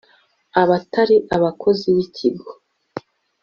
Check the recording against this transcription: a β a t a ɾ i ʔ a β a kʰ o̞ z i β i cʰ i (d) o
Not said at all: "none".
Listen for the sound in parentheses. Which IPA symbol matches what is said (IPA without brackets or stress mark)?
ɡ